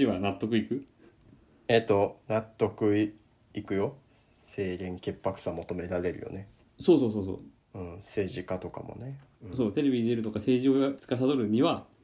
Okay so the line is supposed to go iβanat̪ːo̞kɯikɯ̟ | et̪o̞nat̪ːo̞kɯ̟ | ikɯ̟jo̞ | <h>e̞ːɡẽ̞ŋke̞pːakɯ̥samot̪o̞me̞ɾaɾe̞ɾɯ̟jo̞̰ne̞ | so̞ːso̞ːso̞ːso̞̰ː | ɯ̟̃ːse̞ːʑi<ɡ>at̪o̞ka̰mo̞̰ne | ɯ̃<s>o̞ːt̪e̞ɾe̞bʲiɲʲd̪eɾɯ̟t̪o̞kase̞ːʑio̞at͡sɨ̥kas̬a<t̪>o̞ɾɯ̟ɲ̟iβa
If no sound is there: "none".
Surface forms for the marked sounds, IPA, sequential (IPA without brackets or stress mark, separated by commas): s, k, s, d̪